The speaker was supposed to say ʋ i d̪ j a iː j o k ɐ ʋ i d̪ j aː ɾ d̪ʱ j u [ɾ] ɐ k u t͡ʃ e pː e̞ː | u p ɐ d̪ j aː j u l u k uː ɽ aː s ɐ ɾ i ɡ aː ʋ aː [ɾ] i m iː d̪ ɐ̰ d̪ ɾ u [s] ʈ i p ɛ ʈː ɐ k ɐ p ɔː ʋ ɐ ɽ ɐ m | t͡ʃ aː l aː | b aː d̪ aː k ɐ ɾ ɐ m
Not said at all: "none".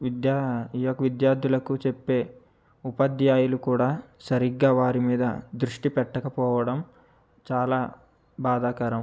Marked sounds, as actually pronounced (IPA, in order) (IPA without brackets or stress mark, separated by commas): l, ɾ, ʂ